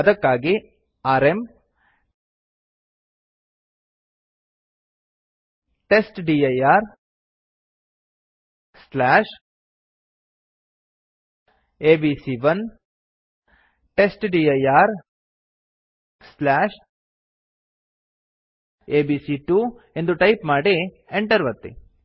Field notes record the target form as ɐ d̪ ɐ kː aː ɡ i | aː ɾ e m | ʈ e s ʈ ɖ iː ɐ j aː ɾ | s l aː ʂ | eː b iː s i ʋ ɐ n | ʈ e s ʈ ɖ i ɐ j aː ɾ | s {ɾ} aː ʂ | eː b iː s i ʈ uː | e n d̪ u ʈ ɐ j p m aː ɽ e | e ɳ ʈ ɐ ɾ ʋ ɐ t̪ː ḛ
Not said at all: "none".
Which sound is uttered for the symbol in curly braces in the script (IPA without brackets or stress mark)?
l